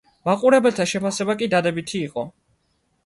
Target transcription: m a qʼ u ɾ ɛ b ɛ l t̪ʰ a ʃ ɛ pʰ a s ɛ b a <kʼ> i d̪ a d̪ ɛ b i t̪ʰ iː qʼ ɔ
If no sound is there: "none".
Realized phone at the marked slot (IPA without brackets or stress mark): kʼ